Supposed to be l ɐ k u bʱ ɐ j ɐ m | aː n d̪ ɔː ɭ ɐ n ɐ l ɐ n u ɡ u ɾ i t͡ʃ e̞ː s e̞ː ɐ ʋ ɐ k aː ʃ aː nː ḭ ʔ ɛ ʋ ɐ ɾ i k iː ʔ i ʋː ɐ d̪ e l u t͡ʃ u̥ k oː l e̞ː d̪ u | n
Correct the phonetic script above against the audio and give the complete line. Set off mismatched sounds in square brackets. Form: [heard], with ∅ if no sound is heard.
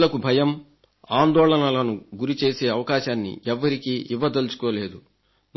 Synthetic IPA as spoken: l ɐ k u bʱ ɐ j ɐ m | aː n d̪ ɔː ɭ ɐ n ɐ l ɐ n u ɡ u ɾ i t͡ʃ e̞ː s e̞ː ɐ ʋ ɐ k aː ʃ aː nː ḭ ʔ ɛ [ʋː] ɐ ɾ i k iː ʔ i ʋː ɐ d̪ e l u t͡ʃ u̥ k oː l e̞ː d̪ u | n